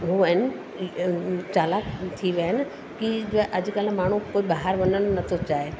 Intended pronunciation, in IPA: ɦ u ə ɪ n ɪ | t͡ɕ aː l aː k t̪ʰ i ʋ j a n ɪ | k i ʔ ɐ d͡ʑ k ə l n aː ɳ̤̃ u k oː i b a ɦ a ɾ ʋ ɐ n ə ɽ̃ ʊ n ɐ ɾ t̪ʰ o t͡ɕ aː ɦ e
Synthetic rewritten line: ɦ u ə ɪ n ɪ | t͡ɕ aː l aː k t̪ʰ i ʋ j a n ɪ | k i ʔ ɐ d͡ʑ k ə l m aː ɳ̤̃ u k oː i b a ɦ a ɾ ʋ ɐ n ə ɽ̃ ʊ n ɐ t̪ʰ o t͡ɕ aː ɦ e